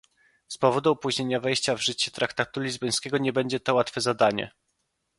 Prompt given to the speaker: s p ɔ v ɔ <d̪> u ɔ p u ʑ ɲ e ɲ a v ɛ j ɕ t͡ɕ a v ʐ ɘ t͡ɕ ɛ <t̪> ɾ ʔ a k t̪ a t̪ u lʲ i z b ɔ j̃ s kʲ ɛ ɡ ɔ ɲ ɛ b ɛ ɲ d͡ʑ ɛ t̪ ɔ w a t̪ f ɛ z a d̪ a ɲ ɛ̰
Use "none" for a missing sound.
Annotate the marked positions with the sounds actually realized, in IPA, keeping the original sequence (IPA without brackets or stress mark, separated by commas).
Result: d̪, t̪